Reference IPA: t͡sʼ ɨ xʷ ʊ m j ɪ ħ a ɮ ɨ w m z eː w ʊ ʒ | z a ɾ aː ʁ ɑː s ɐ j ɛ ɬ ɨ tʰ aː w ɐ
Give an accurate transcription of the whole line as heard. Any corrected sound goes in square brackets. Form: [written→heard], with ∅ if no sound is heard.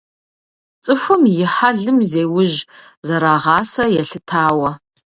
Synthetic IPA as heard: t͡sʼ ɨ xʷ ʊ m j ɪ ħ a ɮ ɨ [w→∅] m z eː w ʊ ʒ | z [a→ɐ] ɾ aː ʁ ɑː s ɐ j ɛ ɬ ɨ tʰ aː w ɐ